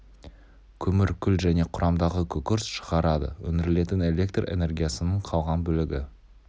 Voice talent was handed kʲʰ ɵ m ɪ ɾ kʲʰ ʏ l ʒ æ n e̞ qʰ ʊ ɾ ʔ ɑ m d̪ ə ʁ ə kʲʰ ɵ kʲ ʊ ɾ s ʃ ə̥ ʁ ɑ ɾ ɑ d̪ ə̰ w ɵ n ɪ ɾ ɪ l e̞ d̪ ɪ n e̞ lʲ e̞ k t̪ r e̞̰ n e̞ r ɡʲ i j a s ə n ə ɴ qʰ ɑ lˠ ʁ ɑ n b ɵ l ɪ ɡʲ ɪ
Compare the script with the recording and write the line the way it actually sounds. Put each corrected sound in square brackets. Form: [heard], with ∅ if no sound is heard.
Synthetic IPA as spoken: kʲʰ ɵ m ɪ ɾ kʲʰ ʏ l ʒ æ n e̞ qʰ ʊ ɾ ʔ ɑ m d̪ [ɑ] ʁ ə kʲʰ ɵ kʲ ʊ ɾ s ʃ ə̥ ʁ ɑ ɾ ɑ d̪ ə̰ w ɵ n ɪ ɾ ɪ l e̞ [t̪] ɪ n e̞ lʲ e̞ k t̪ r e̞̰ n e̞ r ɡʲ i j a s ə n ə ɴ qʰ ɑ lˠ ʁ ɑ n b ɵ l ɪ ɡʲ ɪ